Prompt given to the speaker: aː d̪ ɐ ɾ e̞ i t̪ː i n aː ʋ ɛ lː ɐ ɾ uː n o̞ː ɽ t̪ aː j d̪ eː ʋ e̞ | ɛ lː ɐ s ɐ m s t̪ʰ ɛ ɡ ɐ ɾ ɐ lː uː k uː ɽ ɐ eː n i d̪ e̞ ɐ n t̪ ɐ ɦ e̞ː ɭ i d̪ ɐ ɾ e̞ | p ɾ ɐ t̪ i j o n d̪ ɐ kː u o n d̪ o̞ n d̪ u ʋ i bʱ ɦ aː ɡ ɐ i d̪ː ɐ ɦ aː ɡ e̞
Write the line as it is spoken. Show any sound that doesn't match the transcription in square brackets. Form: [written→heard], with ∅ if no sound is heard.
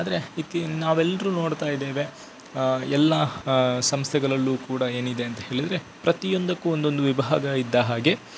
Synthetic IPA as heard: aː d̪ ɐ ɾ e̞ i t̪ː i n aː ʋ ɛ lː ɐ ɾ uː n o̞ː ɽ t̪ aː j d̪ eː ʋ e̞ | ɛ lː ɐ s ɐ m s t̪ʰ ɛ ɡ ɐ [ɾ→ɭ] ɐ lː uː k uː ɽ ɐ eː n i d̪ e̞ ɐ n t̪ ɐ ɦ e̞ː ɭ i d̪ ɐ ɾ e̞ | p ɾ ɐ t̪ i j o n d̪ ɐ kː u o n d̪ o̞ n d̪ u ʋ i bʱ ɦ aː ɡ ɐ i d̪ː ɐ ɦ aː ɡ e̞